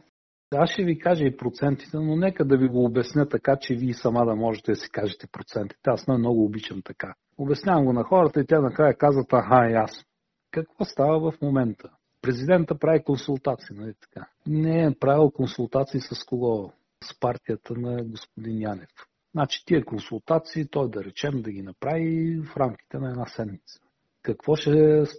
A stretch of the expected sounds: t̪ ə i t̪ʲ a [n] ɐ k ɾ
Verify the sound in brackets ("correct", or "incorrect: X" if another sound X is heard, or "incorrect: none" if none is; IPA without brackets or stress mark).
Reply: correct